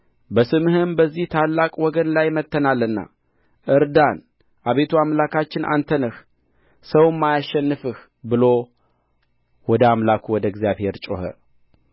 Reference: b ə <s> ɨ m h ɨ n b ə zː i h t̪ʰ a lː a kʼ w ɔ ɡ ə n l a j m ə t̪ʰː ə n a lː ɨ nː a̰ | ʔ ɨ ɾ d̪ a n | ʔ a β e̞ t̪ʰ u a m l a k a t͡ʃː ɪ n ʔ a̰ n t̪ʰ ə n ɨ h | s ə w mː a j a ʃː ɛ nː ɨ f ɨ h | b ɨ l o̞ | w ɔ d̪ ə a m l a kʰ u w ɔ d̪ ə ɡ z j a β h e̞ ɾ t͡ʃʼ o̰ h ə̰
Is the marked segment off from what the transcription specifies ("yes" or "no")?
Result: no